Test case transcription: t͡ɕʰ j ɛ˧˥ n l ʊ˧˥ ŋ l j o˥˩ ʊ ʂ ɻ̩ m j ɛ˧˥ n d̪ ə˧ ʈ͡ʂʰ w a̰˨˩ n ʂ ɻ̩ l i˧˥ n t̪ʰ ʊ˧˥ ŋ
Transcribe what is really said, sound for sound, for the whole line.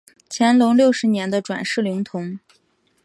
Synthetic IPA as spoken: t͡ɕʰ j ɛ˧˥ n l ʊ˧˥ ŋ l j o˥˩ ʊ ʂ ɻ̩ n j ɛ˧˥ n d̪ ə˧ ʈ͡ʂ w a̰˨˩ n ʂ ɻ̩ l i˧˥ ŋ t̪ʰ ʊ˧˥ ŋ

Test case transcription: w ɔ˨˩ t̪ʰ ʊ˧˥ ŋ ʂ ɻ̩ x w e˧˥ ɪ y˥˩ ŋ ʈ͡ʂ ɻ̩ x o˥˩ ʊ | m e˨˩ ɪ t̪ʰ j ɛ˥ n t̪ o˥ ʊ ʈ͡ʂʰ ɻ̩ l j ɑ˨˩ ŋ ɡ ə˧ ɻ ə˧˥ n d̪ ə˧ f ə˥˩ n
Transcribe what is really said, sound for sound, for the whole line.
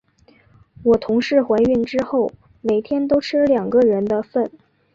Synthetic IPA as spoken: w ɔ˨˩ t̪ʰ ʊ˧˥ ŋ ʂ ɻ̩ x w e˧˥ ɪ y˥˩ n ʈ͡ʂ ɻ̩ x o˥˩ ʊ | m e˨˩ ɪ t̪ʰ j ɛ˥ n t̪ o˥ ʊ ʈ͡ʂʰ ɻ̩ l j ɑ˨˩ ŋ ɡ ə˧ ɻ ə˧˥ n d̪ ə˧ f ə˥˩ n

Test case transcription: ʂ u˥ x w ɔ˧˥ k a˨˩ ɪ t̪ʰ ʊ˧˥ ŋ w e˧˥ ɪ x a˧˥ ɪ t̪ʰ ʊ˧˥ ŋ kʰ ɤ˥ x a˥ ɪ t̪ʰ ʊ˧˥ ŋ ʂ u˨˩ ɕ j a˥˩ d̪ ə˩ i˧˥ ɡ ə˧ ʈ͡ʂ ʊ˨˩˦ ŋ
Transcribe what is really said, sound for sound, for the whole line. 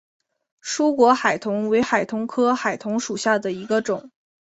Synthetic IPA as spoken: ʂ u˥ k w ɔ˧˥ x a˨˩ ɪ t̪ʰ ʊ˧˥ ŋ w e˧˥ ɪ x a˨˩ ɪ t̪ʰ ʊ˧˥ ŋ kʰ ɤ˥ x a˨˩ ɪ t̪ʰ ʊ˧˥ ŋ ʂ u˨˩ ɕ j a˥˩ d̪ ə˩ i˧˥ ɡ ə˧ ʈ͡ʂ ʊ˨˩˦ ŋ

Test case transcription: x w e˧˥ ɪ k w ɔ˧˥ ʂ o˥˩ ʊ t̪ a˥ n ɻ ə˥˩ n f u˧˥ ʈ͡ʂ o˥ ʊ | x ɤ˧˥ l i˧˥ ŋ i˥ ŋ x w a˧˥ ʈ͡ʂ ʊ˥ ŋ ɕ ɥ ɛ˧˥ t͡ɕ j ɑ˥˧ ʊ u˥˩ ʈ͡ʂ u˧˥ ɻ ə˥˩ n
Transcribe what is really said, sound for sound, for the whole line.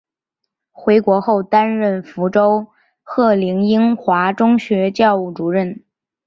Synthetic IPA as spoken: x w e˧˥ ɪ k w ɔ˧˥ x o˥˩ ʊ t̪ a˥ n ɻ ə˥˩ n f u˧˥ ʈ͡ʂ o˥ ʊ | x ɤ˥˩ l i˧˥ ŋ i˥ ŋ x w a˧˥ ʈ͡ʂ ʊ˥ ŋ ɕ ɥ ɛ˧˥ t͡ɕ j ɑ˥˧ ʊ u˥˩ ʈ͡ʂ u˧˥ ɻ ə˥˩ n

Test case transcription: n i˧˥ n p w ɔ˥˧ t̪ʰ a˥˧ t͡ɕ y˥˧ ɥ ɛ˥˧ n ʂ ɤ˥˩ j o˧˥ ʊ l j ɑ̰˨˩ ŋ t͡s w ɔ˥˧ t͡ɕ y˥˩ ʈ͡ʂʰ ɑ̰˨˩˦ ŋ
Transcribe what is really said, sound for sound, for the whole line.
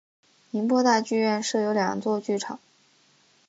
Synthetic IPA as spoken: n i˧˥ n p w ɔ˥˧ t̪ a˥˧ t͡ɕ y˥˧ ɥ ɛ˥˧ n ʂ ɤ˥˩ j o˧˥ ʊ l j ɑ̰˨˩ ŋ t͡s w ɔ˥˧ t͡ɕ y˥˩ ʈ͡ʂʰ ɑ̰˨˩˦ ŋ

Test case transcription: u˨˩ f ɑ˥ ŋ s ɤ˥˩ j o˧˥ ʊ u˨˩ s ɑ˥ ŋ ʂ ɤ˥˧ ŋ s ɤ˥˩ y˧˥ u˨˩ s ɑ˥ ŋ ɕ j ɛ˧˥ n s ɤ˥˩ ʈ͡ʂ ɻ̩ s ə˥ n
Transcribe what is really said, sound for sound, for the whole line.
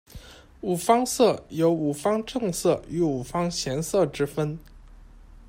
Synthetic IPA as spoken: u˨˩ f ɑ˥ ŋ s ɤ˥˩ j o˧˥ ʊ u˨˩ f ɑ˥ ŋ ʈ͡ʂ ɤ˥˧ ŋ s ɤ˥˩ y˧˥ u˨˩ f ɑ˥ ŋ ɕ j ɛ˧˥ n s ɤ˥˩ ʈ͡ʂ ɻ̩ f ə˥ n

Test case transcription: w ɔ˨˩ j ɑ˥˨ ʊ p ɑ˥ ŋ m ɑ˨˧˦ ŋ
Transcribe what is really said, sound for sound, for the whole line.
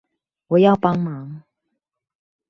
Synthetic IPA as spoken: w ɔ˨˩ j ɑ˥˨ ʊ p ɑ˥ ŋ m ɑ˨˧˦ ŋ

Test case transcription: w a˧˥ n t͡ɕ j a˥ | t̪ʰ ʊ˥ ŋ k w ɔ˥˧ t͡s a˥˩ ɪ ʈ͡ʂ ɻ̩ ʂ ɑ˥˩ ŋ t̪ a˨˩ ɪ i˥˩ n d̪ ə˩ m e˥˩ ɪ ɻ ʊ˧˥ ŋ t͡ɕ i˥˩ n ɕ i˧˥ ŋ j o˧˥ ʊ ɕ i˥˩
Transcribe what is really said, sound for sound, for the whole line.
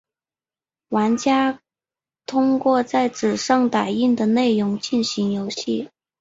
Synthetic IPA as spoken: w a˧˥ n t͡ɕ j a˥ | t̪ʰ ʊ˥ ŋ k w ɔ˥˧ t͡s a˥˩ ɪ ʈ͡ʂ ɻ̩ ʂ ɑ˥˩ ŋ t̪ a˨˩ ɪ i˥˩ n d̪ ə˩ n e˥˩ ɪ ɻ ʊ˧˥ ŋ t͡ɕ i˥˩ n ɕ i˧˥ ŋ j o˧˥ ʊ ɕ i˥˩

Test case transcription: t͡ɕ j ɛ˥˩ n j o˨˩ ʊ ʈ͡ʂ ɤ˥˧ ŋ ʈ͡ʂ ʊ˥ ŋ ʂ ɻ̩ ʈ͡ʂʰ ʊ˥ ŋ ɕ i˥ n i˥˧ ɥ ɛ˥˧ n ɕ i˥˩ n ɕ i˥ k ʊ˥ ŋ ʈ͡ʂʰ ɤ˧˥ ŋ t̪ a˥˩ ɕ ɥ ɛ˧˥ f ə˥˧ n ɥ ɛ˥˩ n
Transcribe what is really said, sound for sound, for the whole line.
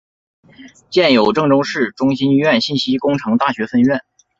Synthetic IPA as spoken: t͡ɕ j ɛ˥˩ n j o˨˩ ʊ ʈ͡ʂ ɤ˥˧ ŋ ʈ͡ʂ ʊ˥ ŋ ʂ ɻ̩ ʈ͡ʂ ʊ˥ ŋ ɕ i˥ n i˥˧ ɥ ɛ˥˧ n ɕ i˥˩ n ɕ i˥ k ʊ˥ ŋ ʈ͡ʂʰ ɤ˧˥ ŋ t̪ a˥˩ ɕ ɥ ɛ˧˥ f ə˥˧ n ɥ ɛ˥˩ n

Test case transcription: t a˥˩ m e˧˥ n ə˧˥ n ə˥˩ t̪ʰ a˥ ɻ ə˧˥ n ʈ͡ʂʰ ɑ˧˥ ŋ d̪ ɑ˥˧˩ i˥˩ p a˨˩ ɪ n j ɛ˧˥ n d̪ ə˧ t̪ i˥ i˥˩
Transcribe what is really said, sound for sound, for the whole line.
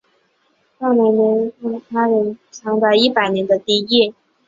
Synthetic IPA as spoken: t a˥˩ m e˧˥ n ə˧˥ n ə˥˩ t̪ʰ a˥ ɻ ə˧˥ n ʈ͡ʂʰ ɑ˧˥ ŋ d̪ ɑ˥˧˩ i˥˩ p a˨˩ ɪ n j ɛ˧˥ n d̪ ə˧ t̪ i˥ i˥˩

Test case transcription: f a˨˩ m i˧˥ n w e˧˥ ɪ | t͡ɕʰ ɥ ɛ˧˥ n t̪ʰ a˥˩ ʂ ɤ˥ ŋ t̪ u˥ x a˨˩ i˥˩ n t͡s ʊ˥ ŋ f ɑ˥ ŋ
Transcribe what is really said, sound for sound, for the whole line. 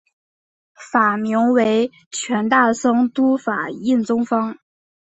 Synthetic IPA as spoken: f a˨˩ m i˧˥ ŋ w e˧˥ ɪ | t͡ɕʰ ɥ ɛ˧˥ n t̪ a˥˩ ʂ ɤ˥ ŋ t̪ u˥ f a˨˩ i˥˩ n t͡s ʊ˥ ŋ f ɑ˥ ŋ

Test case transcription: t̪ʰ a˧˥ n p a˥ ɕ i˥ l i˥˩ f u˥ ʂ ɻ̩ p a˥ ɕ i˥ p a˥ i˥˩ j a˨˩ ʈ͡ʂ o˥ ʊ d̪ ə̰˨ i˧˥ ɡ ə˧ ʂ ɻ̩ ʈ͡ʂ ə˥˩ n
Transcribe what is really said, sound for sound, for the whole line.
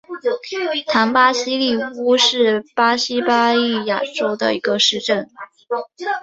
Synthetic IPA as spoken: t̪ʰ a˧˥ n p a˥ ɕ i˥ l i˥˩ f u˥ ʂ ɻ̩ p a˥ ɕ i˥ p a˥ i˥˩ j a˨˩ ʈ͡ʂ o˥ ʊ d̪ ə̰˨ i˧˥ ɡ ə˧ ʂ ɻ̩ ʈ͡ʂ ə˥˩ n

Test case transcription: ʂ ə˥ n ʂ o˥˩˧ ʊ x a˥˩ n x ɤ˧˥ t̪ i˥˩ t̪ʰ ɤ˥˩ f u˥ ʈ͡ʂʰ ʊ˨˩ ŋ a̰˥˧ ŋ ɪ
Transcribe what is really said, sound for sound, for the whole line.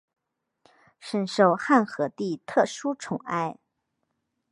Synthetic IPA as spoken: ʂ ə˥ n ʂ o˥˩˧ ʊ x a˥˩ n x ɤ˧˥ t̪ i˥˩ t̪ʰ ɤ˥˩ ʂ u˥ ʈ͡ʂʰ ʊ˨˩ ŋ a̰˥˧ ɪ

